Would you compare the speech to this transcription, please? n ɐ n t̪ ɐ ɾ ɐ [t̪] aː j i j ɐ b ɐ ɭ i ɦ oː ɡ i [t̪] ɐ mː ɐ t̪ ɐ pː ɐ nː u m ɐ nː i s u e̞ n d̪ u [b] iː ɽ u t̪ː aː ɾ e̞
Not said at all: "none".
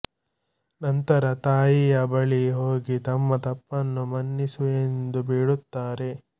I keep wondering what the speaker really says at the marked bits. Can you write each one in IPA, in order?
t̪, t̪, b

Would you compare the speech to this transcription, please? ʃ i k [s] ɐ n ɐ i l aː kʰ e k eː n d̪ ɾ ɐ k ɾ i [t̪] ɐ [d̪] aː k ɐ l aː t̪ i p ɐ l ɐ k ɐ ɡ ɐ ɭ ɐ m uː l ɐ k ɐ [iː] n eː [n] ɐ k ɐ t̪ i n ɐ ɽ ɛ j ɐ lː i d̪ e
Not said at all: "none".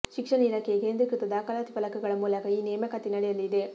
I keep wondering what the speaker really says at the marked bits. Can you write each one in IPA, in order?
ʂ, t̪, d̪, iː, m

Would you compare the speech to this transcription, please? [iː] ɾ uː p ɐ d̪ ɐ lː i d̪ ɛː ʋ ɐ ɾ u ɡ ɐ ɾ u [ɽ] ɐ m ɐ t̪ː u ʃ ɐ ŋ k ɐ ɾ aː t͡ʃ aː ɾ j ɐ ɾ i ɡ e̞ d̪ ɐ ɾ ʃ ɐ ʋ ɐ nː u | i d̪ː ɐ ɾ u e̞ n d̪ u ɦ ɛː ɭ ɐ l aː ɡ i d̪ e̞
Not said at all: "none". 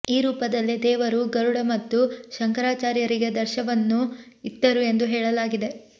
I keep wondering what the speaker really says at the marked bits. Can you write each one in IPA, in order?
iː, ɽ

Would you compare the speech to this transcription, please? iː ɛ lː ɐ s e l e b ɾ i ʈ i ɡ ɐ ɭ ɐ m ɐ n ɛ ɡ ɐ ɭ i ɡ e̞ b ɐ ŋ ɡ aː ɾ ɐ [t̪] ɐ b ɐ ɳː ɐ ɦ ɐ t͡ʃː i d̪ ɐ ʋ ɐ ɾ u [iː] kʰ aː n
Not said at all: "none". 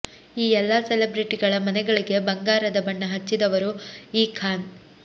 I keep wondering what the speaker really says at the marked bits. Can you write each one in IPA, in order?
d̪, iː

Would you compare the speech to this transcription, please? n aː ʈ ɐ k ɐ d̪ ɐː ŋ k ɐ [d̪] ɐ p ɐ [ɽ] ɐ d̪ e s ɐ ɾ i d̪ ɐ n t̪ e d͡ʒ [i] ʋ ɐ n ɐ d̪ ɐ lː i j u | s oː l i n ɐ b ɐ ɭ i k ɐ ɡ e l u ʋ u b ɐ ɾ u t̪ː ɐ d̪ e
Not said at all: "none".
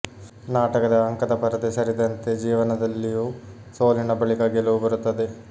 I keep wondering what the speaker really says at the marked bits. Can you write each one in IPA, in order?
d̪, ɾ, iː

